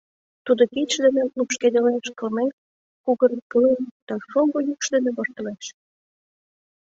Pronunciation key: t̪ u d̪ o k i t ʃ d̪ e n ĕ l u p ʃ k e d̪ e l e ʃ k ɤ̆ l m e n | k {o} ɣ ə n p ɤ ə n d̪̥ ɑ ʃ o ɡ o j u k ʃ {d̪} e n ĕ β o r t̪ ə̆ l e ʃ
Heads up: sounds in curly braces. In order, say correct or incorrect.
incorrect: u, correct

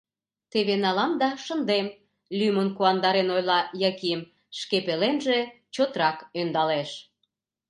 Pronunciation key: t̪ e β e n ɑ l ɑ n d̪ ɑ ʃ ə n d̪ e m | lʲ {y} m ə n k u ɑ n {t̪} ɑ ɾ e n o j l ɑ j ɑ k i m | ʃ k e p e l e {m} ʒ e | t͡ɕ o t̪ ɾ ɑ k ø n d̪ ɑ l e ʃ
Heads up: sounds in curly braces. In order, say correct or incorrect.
correct, incorrect: d̪, incorrect: n

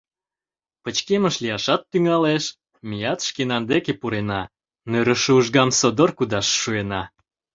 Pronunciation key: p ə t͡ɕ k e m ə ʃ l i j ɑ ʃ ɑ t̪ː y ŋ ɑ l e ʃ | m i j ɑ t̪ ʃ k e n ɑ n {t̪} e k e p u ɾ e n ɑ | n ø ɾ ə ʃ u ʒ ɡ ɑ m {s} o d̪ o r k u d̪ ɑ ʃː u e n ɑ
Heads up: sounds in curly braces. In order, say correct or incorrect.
incorrect: d̪, correct

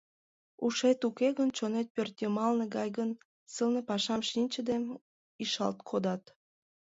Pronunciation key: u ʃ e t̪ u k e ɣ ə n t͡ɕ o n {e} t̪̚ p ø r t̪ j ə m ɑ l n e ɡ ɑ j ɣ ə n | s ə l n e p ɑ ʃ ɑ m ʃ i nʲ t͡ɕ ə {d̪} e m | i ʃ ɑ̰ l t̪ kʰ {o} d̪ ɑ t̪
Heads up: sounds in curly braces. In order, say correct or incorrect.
correct, correct, correct

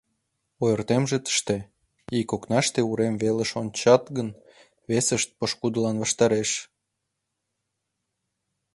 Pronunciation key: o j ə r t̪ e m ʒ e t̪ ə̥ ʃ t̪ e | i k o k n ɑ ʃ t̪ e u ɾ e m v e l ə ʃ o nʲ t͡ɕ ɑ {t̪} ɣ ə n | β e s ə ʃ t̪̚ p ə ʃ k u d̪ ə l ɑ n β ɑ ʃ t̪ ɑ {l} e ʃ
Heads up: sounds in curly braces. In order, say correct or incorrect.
correct, incorrect: ɾ

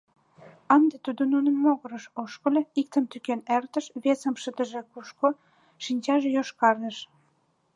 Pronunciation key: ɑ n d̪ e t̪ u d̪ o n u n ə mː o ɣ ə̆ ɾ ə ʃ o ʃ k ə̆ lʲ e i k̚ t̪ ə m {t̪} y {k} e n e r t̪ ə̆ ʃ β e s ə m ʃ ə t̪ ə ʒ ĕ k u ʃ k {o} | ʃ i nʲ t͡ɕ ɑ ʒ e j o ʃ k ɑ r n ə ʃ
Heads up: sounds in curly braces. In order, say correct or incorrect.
correct, correct, correct

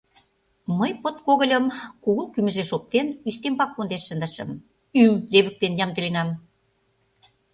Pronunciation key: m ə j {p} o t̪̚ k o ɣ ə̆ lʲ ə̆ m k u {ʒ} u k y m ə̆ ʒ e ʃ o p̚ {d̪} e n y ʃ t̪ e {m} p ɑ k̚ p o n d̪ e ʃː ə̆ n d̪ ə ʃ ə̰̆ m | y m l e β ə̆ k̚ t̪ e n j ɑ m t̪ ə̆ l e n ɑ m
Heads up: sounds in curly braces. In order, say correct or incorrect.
correct, incorrect: ɣ, incorrect: t̪, correct

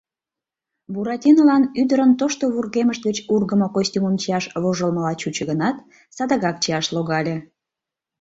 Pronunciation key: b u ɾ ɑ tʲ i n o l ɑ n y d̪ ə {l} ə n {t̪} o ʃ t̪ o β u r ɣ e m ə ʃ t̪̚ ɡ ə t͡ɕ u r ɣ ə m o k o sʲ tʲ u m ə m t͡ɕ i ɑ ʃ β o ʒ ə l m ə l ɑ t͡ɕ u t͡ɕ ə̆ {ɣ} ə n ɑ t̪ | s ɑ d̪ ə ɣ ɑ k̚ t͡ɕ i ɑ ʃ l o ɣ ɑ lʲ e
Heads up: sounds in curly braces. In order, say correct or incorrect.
incorrect: ɾ, correct, correct

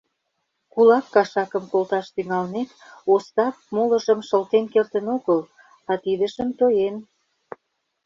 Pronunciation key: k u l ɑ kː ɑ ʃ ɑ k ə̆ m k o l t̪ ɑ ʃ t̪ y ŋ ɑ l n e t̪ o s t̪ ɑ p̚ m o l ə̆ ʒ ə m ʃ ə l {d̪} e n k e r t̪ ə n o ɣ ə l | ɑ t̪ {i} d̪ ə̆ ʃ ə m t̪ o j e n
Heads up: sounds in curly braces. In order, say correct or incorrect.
incorrect: t̪, correct

